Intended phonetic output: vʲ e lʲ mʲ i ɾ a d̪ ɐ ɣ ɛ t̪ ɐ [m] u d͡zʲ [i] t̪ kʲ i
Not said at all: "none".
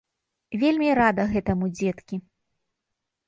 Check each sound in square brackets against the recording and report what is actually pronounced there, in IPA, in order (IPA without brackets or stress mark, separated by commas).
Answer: m, ɛ